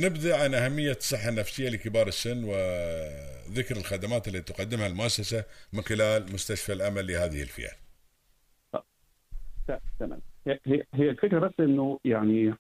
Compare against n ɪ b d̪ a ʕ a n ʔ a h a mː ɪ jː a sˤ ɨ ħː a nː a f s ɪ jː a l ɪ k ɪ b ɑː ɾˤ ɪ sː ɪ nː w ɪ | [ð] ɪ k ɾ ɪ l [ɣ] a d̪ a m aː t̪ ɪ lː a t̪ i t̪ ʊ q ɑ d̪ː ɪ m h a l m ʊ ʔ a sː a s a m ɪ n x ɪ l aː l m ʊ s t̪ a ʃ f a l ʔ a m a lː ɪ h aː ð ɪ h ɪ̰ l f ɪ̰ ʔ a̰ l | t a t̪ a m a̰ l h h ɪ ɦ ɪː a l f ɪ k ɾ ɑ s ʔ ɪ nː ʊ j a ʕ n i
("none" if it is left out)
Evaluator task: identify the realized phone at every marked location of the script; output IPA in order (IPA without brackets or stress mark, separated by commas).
ð, x